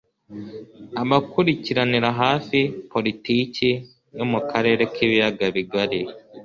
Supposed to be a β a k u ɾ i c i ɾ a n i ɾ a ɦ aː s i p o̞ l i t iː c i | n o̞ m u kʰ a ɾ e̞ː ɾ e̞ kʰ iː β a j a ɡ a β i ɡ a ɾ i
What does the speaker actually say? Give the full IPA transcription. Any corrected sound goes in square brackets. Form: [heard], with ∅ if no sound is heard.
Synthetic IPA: a β a k u ɾ i c i ɾ a n i ɾ a ɦ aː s i p o̞ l i t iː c i | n o̞ m u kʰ a ɾ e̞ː ɾ e̞ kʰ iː β [i] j a ɡ a β i ɡ a ɾ i